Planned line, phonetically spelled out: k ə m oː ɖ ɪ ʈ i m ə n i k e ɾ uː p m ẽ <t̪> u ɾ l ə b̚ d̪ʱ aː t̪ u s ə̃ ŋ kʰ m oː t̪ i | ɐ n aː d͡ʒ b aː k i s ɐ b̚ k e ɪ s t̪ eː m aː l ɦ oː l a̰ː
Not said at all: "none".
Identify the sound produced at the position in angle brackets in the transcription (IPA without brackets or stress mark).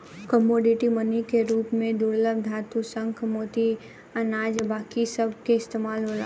d̪